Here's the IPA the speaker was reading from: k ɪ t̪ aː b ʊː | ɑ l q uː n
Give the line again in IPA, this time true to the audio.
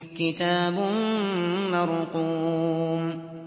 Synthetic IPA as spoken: k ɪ t̪ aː b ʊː | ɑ ɾ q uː m